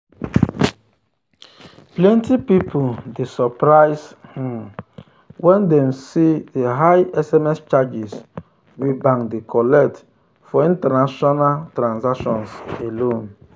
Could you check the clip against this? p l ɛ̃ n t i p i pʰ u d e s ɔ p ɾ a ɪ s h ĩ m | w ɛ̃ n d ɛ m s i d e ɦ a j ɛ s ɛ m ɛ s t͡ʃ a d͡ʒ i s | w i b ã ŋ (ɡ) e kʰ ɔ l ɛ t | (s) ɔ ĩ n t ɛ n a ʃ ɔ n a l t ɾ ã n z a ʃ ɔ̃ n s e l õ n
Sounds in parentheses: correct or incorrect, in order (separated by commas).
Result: incorrect, incorrect